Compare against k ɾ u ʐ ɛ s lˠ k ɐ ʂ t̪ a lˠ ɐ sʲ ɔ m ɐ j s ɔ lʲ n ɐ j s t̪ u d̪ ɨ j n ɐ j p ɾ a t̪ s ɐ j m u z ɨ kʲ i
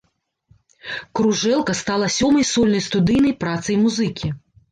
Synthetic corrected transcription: k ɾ u ʐ ɛ lˠ k ɐ s t̪ a lˠ ɐ sʲ ɔ m ɐ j s ɔ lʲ n ɐ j s t̪ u d̪ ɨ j n ɐ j p ɾ a t̪ s ɐ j m u z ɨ kʲ i